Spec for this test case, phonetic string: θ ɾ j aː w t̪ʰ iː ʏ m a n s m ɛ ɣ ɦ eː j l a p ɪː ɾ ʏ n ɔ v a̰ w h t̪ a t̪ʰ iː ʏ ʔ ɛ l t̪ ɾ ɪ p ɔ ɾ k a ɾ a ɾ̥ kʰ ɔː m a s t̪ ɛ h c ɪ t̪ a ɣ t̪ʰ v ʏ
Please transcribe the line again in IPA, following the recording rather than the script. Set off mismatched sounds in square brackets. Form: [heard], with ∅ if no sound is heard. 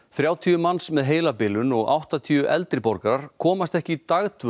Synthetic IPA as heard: θ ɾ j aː w t̪ʰ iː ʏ m a n s m ɛ [ð] ɦ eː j l a p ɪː [l] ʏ n ɔ [ɣ] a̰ w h t̪ a t̪ʰ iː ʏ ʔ ɛ l t̪ ɾ ɪ p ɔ ɾ k a ɾ a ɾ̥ kʰ ɔː m a s t̪ ɛ h c ɪ t̪ a ɣ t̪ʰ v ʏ